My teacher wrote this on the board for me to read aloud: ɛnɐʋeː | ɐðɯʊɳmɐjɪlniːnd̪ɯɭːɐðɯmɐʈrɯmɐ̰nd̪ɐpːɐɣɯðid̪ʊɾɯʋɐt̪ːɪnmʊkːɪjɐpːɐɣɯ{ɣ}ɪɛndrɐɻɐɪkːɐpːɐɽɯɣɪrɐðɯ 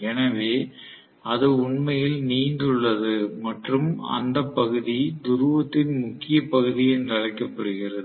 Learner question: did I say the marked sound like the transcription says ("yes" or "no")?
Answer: no